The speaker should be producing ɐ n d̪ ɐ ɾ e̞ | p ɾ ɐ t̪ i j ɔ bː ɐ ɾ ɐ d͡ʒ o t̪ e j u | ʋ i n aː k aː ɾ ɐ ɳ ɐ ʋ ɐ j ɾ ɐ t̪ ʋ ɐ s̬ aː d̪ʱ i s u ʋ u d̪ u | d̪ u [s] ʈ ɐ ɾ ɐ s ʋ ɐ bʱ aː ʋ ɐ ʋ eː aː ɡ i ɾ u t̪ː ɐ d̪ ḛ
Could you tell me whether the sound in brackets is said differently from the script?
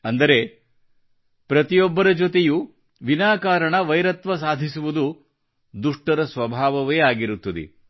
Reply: yes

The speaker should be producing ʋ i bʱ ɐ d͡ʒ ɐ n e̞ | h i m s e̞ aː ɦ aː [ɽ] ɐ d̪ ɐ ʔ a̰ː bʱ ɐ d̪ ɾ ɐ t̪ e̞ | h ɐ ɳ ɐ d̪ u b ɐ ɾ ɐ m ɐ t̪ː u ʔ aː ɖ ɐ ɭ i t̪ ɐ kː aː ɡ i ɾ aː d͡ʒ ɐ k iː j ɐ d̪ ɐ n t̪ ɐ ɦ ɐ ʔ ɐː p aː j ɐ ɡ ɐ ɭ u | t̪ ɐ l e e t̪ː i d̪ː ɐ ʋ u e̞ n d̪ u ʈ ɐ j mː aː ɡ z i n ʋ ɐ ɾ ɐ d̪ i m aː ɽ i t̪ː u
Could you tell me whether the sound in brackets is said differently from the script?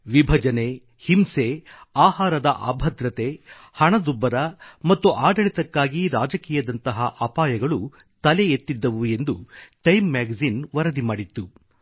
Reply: yes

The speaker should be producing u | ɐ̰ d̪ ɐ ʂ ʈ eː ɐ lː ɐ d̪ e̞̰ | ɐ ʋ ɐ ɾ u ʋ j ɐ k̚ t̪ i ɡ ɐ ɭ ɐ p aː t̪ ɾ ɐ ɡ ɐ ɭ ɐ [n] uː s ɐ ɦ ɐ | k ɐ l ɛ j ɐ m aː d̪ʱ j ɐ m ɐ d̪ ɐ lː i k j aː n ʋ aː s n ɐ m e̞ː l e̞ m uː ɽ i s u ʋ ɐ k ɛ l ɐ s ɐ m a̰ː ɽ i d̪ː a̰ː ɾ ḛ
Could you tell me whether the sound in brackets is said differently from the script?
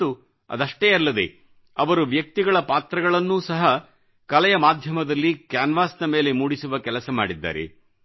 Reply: yes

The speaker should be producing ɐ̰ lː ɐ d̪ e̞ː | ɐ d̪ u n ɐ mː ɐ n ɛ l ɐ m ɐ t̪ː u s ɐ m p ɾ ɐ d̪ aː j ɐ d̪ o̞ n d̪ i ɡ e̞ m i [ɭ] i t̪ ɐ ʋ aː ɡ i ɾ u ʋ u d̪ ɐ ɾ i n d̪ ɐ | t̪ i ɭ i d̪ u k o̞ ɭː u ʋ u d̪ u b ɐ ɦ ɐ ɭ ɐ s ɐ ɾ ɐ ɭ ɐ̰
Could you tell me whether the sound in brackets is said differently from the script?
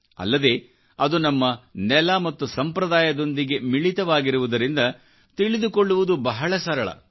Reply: no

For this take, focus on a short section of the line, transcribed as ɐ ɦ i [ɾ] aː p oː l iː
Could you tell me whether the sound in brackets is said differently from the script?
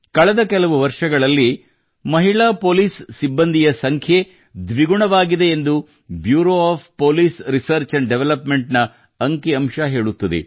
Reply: yes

